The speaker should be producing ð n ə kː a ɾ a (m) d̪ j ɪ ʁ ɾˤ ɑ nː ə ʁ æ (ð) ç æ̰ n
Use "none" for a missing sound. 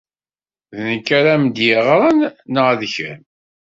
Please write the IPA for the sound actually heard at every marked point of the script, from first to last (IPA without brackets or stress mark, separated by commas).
m, ð